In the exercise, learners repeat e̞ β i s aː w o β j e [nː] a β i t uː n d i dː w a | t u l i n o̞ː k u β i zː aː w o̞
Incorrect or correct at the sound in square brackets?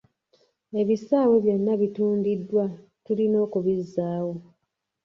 correct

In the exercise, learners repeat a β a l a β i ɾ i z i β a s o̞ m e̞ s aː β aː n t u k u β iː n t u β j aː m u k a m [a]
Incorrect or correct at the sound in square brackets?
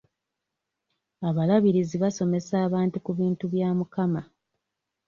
correct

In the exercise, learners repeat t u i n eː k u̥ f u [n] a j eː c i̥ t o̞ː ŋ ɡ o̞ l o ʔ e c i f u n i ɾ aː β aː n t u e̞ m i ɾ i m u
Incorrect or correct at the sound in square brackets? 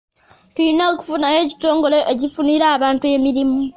correct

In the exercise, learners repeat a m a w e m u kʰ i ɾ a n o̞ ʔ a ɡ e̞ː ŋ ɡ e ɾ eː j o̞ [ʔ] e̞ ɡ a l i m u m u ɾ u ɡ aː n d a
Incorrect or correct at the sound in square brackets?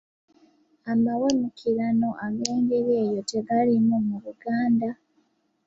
incorrect: t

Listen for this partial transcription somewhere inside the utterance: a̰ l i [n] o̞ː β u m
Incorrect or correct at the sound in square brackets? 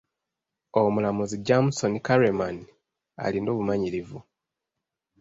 correct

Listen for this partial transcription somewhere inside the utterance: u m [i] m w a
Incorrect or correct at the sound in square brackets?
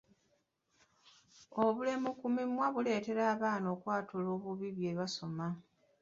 correct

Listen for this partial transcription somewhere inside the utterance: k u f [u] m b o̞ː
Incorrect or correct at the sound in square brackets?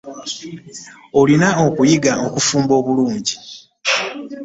incorrect: uː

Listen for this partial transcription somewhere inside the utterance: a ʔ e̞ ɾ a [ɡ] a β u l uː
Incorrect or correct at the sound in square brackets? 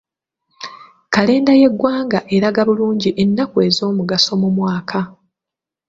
correct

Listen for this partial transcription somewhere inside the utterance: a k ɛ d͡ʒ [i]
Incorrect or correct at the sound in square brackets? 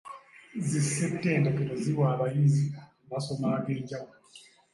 incorrect: a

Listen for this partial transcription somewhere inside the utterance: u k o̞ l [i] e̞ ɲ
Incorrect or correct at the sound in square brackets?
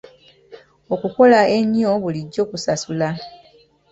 incorrect: a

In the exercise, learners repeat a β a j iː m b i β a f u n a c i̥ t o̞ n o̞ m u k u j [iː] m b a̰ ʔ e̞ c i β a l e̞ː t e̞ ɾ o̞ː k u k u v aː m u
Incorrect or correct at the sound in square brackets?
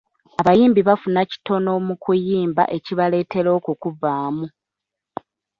correct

